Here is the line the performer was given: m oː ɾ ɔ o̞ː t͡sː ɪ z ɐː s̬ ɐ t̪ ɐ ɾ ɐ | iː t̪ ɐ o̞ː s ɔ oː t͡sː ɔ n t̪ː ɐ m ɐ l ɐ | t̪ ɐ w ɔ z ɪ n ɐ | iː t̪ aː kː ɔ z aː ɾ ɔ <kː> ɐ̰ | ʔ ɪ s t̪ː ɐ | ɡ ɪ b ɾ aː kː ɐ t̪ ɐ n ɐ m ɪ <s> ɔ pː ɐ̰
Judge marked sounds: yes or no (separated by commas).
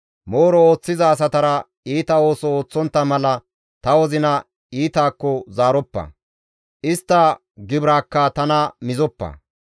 no, no